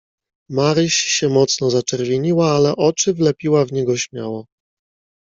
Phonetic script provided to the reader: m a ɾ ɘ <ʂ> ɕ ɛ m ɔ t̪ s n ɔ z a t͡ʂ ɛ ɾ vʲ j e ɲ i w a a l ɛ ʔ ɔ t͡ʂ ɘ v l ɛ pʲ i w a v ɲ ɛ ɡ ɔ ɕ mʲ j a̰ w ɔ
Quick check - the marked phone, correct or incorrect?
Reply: incorrect